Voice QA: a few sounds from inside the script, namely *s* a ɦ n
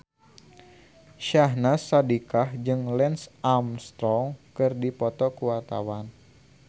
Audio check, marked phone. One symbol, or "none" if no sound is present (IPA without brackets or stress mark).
ʃ